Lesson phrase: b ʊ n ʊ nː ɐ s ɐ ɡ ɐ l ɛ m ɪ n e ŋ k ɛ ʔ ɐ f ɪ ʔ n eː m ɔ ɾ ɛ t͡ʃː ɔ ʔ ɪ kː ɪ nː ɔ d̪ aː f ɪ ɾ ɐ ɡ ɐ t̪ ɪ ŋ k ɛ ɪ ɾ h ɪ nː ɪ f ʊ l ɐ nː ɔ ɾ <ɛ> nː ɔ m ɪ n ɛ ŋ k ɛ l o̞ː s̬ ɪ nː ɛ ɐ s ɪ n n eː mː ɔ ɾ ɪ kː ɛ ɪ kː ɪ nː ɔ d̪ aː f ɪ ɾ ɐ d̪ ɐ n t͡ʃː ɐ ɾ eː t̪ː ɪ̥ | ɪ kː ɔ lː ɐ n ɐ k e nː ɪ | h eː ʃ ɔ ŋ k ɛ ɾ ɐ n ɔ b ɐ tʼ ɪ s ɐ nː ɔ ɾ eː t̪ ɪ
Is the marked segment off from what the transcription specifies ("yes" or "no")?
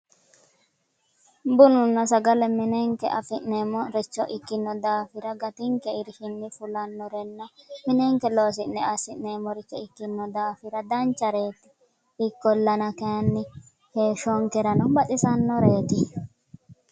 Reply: no